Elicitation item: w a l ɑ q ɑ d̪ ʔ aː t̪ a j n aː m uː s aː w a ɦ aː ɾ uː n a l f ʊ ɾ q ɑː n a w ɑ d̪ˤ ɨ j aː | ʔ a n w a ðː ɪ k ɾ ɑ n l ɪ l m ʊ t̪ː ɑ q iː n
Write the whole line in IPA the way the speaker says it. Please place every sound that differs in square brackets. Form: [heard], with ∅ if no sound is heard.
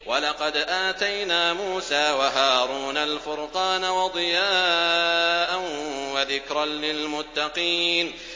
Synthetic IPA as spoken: w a l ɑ q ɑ d̪ ʔ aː t̪ a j n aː m uː s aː w a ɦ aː ɾ uː n a l f ʊ ɾ q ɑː n a w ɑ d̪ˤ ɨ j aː | ʔ a n w a [ð] ɪ k ɾ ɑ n l ɪ l m ʊ t̪ː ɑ q iː n